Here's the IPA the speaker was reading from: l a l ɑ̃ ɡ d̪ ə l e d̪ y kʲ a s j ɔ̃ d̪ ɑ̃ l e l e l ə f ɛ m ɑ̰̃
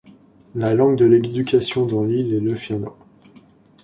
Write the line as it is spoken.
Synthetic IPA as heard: l a l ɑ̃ ɡ d̪ ə l e d̪ y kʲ a s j ɔ̃ d̪ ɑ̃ l i l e l ə f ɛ n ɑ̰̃